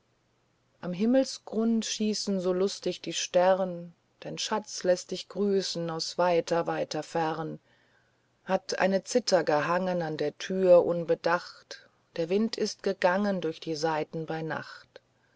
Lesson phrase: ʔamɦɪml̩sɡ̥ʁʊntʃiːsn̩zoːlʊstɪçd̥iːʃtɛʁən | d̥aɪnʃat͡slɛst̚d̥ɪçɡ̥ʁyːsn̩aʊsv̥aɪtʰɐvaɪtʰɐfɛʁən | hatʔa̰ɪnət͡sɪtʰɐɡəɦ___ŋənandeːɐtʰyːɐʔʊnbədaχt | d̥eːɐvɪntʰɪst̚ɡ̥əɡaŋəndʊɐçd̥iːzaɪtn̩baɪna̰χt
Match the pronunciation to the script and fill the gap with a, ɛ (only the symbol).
a